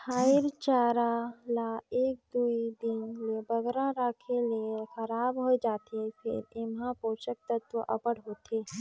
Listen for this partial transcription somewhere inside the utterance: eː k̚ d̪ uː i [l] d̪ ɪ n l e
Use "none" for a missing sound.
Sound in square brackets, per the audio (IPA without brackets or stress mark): none